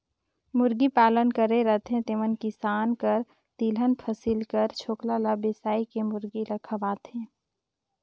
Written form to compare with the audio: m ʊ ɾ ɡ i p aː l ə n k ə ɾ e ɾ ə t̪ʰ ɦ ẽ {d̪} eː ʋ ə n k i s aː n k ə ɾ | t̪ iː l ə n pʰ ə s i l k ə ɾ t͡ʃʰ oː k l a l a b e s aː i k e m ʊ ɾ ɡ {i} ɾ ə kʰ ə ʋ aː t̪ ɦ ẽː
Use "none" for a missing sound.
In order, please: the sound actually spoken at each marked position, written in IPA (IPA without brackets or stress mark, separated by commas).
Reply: t̪, i